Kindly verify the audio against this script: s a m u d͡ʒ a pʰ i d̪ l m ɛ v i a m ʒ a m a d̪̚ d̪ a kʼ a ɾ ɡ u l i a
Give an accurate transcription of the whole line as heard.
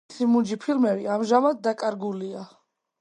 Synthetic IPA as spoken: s i m u d͡ʒ i pʰ i l m ɛ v i a m ʒ a m a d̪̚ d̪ a kʼ a ɾ ɡ u l i a